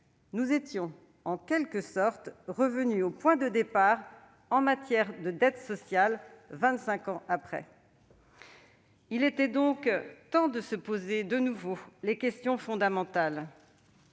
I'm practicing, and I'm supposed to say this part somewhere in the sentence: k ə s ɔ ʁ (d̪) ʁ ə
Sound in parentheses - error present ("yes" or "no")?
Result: yes